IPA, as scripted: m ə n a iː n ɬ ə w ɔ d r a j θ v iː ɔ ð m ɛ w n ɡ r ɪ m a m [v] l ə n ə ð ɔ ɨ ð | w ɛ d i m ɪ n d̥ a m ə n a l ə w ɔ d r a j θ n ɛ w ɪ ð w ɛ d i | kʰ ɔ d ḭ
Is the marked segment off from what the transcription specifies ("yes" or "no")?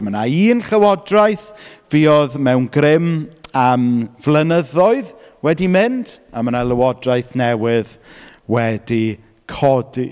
no